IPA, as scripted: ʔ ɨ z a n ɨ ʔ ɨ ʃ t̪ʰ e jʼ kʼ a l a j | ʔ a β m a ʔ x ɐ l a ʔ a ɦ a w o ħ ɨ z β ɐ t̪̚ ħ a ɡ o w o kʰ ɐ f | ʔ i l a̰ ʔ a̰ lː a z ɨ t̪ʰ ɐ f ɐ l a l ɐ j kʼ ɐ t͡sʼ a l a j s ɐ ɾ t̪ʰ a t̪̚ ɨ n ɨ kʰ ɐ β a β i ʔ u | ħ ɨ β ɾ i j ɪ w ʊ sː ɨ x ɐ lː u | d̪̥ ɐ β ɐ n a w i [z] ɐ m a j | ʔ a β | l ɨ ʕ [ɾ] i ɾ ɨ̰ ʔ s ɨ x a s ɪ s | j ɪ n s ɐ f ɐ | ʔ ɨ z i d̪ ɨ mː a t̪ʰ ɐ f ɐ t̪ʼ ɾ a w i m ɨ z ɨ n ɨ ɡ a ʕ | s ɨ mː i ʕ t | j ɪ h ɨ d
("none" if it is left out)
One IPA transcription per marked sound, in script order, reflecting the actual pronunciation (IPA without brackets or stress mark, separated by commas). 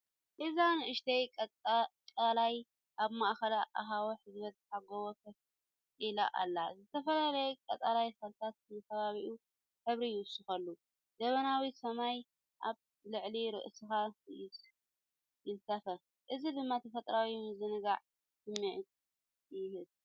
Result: s, l